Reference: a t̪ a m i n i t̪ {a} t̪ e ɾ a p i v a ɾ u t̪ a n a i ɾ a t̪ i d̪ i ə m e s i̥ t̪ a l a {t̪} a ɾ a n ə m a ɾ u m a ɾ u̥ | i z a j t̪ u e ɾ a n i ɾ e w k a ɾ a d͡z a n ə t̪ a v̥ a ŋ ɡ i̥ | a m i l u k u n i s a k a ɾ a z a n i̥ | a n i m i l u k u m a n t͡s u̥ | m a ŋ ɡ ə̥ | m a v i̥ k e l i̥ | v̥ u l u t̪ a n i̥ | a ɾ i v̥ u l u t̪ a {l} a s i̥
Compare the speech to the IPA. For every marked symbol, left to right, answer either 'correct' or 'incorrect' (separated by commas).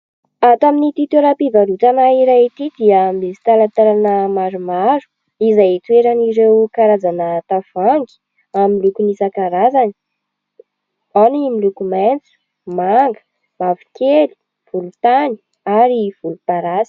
incorrect, correct, incorrect